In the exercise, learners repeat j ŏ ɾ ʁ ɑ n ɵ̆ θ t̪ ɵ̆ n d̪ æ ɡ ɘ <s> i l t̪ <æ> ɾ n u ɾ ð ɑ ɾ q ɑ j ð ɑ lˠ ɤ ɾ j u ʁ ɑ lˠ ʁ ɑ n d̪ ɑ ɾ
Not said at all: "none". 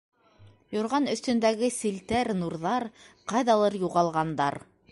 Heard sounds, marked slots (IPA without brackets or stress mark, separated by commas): s, æ